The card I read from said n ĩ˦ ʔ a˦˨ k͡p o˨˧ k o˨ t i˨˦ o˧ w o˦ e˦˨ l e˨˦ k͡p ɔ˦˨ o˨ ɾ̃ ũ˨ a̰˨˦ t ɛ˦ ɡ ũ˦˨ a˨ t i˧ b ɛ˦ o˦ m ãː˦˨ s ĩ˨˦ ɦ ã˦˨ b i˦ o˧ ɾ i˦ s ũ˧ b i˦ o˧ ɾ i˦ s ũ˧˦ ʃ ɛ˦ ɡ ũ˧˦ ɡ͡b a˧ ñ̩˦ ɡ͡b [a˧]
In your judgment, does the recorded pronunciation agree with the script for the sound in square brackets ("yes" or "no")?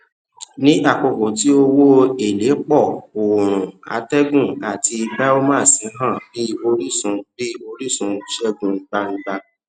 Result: yes